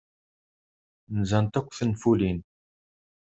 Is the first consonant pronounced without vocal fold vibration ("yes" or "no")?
no